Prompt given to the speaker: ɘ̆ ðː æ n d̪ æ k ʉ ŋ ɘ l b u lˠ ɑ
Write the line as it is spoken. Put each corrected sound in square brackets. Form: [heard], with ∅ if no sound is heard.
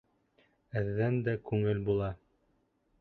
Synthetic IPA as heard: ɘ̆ ðː æ n d̪ æ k ʉ ŋ ɘ l b u lˠ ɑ

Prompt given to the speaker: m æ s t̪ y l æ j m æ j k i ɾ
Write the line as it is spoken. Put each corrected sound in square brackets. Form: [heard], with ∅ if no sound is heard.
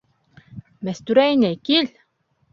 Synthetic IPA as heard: m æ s t̪ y [ɾ] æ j [n] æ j k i [l]

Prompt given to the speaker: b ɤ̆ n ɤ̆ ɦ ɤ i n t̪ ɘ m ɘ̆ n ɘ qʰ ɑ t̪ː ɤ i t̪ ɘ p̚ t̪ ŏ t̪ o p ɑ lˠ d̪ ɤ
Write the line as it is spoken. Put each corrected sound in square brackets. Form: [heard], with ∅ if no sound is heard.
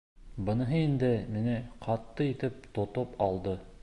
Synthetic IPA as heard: b ɤ̆ n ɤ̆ ɦ ɤ i n [d̪] ɘ m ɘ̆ n ɘ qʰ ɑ t̪ː ɤ i t̪ ɘ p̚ t̪ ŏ t̪ o p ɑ lˠ d̪ ɤ

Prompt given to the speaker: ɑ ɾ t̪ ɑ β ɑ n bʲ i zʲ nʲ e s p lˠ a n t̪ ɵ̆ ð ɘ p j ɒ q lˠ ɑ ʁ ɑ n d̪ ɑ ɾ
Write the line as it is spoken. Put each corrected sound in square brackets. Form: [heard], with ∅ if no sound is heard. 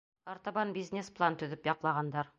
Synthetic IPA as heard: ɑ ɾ t̪ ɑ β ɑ n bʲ i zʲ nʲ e s p lˠ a n t̪ ɵ̆ ð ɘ p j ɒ q lˠ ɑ ʁ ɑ n d̪ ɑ ɾ

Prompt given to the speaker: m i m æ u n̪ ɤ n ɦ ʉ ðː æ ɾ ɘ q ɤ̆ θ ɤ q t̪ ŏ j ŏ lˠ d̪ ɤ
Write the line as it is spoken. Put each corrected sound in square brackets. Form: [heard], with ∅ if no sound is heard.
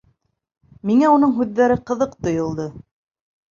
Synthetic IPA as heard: m i [ŋ] æ u n̪ ɤ [ɴ] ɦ ʉ ðː æ ɾ ɘ q ɤ̆ [ð] ɤ q t̪ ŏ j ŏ lˠ d̪ ɤ

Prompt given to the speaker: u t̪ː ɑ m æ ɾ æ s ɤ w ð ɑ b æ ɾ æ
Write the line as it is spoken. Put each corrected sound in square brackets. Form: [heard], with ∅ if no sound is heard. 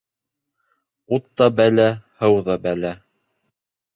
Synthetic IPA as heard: u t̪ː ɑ [b] æ [l] æ [h] ɤ w ð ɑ b æ [l] æ

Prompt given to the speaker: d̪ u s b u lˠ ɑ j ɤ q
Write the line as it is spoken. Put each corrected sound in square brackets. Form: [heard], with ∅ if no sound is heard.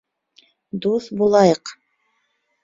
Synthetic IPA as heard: d̪ u [θ] b u lˠ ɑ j ɤ q

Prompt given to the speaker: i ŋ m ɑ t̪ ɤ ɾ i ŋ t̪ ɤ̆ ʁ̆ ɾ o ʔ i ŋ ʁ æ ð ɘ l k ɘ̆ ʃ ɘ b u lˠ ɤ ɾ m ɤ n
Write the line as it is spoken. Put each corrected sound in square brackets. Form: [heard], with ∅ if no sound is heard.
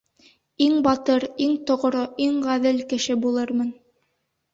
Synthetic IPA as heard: i ŋ [b] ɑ t̪ ɤ ɾ i ŋ t̪ [ŏ] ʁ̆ ɾ o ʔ i ŋ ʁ æ ð ɘ l k ɘ̆ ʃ ɘ b u lˠ ɤ ɾ m ɤ n

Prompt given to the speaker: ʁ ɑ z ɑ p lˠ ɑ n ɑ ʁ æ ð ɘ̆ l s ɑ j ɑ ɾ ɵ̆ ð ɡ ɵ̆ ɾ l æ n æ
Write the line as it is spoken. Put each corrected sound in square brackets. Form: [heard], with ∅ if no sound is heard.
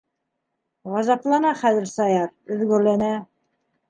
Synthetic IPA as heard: ʁ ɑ z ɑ p lˠ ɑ n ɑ [χ] æ ð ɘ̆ [ɾ] s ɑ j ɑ ɾ ɵ̆ ð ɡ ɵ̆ ɾ l æ n æ

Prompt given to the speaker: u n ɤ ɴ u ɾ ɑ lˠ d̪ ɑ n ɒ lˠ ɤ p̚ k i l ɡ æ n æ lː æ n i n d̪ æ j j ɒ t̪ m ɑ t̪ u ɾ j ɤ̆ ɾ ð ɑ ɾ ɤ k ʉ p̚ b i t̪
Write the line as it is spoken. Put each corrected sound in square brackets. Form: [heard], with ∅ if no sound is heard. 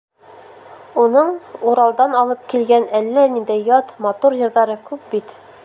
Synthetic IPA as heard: u n ɤ ɴ u ɾ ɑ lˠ d̪ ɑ n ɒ lˠ ɤ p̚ k i l ɡ æ n æ lː æ n i n d̪ æ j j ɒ t̪ m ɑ t̪ u ɾ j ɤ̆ ɾ ð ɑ ɾ ɤ k ʉ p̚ b i t̪

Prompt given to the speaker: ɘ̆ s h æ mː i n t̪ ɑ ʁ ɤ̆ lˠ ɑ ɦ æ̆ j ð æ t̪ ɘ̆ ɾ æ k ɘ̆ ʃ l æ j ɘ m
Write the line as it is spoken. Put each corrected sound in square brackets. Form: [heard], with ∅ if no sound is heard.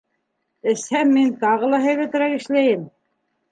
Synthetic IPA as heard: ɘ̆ s h æ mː i n t̪ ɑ ʁ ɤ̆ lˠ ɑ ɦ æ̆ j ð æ t̪ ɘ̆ ɾ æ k ɘ̆ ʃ l æ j ɘ m

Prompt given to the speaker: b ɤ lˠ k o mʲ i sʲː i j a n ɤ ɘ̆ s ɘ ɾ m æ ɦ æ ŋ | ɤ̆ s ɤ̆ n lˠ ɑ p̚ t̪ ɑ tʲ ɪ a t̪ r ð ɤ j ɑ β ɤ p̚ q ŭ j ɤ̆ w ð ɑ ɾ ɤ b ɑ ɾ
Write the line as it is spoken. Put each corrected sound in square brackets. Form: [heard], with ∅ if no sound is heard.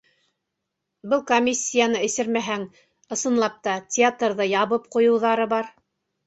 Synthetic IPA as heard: b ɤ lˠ k o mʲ i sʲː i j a n ɤ ɘ̆ s ɘ ɾ m æ ɦ æ ŋ | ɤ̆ s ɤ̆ n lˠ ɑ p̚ t̪ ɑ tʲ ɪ a t̪ r ð ɤ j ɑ β ɤ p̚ q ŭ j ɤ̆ w ð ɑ ɾ ɤ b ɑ ɾ

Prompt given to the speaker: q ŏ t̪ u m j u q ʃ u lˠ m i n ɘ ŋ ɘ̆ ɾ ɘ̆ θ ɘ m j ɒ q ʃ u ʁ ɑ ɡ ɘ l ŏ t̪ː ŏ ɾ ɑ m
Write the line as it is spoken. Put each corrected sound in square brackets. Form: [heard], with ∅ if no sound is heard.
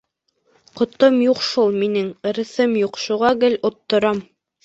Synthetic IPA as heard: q ŏ t̪ [o] m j u q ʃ u lˠ m i n ɘ ŋ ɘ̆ ɾ ɘ̆ θ ɘ m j [u] q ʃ u ʁ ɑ ɡ ɘ l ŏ t̪ː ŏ ɾ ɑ m

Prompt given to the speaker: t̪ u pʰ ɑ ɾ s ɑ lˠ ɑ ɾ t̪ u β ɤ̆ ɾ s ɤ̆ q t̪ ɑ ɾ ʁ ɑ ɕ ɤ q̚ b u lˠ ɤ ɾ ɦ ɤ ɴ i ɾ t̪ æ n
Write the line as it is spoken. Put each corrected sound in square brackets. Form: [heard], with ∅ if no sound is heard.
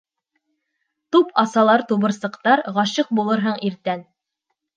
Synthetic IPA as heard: t̪ u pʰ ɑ [∅] s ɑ lˠ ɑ ɾ t̪ u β ɤ̆ ɾ s ɤ̆ q t̪ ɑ ɾ ʁ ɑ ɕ ɤ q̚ b u lˠ ɤ ɾ ɦ ɤ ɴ i ɾ t̪ æ n

